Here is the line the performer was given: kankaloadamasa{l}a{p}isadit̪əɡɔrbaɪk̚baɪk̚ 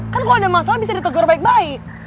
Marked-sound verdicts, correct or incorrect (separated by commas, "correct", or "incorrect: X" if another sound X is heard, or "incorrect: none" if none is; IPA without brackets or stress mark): correct, incorrect: b